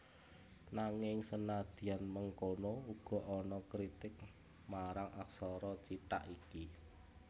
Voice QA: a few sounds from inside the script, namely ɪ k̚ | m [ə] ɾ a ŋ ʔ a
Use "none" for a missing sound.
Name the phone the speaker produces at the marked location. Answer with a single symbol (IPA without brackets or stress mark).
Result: a